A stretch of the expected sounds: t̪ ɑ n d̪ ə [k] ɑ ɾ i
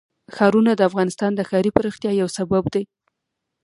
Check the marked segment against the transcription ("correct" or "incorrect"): incorrect